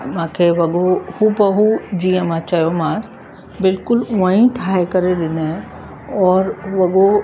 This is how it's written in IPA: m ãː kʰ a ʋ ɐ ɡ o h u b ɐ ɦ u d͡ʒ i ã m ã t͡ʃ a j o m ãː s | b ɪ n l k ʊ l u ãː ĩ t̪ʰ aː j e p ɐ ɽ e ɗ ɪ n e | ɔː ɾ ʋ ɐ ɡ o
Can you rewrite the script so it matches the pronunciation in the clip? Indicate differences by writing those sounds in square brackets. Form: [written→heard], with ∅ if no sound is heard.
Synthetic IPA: m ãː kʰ [a→e] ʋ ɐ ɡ o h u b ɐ ɦ u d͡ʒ i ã m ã t͡ʃ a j o m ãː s | b ɪ [n→∅] l k ʊ l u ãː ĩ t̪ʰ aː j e [p→k] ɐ [ɽ→ɾ] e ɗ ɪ n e | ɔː ɾ ʋ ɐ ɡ o